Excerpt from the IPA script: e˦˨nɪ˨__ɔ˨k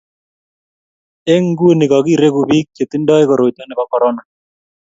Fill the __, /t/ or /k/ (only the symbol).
k